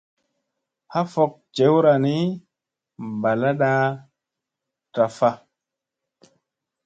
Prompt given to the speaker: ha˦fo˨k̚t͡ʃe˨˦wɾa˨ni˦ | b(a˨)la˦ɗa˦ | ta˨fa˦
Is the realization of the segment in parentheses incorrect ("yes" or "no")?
no